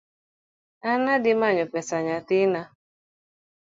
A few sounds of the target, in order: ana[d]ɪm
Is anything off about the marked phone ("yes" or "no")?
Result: no